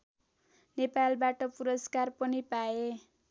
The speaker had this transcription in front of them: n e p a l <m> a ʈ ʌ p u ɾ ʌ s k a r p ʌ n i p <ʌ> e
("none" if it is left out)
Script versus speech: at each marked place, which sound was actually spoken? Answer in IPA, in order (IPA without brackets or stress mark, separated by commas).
b, a